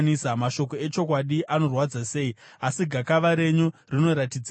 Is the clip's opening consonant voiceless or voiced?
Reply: voiced